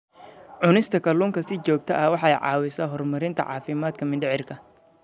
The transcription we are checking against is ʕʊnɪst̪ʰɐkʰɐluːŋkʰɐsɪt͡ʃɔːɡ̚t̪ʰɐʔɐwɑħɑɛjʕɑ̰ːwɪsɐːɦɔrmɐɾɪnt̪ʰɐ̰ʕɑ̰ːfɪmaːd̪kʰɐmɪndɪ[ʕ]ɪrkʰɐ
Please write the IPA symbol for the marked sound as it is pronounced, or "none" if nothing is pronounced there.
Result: ʕ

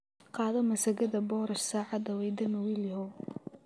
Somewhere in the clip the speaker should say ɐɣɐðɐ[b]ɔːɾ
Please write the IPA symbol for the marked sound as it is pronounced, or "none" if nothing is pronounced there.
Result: b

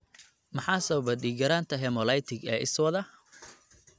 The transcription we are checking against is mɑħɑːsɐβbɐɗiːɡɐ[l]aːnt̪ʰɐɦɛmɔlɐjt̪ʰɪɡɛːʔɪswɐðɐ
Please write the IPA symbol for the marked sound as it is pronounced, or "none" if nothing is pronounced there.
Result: ɾ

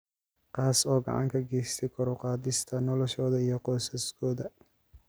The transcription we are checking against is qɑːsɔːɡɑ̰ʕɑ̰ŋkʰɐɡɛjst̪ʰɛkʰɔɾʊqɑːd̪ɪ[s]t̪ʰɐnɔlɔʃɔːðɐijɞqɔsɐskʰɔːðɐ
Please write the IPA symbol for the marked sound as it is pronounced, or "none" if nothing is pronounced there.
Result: s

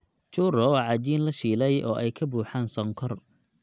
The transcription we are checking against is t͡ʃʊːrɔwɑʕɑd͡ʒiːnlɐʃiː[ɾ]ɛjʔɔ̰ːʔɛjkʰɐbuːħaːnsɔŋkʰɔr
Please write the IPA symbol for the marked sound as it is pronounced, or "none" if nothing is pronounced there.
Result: l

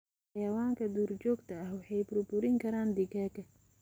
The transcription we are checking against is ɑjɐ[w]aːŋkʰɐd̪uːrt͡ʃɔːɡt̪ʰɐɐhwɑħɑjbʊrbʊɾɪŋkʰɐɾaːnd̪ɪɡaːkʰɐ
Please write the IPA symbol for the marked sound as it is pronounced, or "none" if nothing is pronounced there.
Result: w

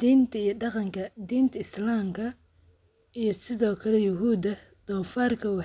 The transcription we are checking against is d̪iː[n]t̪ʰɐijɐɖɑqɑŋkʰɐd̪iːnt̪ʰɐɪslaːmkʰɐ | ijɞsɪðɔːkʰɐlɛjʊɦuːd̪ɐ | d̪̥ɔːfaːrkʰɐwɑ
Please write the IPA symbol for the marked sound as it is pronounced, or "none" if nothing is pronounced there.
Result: n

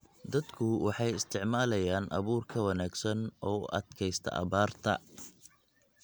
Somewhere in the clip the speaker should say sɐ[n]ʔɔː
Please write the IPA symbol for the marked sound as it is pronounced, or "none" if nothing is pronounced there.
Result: n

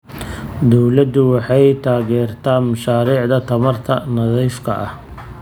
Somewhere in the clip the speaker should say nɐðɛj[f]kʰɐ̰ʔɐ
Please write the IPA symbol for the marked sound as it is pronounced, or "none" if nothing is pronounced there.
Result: f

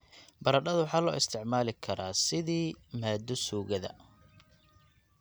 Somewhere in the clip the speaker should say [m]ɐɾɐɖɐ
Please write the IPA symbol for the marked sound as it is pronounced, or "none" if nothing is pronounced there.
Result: b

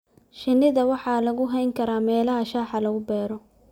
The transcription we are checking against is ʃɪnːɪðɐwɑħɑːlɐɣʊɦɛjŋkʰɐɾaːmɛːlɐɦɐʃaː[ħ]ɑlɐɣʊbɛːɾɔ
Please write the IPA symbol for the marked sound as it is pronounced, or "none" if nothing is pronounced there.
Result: ħ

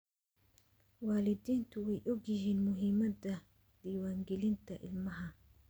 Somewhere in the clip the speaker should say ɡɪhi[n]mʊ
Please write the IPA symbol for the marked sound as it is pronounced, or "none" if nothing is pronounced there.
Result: n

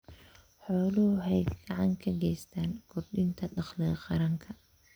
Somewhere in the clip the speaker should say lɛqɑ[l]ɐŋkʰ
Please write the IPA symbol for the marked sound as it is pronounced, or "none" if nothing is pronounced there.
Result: ɾ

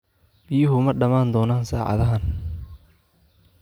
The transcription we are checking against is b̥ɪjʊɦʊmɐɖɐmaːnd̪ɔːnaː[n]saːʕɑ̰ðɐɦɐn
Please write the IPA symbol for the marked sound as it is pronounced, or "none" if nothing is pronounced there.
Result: n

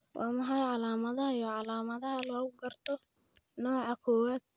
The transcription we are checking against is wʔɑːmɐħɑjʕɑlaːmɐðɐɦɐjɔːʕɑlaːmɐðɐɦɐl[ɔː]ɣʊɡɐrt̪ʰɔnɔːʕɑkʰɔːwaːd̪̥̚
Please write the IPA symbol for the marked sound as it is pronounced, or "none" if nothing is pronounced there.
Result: ɔː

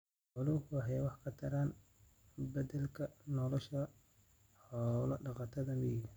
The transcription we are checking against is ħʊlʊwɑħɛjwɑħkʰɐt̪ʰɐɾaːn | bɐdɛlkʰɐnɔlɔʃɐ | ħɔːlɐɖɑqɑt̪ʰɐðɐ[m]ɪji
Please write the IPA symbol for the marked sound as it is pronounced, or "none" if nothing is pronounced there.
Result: m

